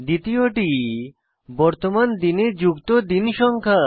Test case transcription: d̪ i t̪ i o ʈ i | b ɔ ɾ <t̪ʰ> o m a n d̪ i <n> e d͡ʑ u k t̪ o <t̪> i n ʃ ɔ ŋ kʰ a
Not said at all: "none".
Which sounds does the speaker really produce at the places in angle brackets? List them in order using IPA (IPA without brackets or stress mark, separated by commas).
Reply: t̪, n, d̪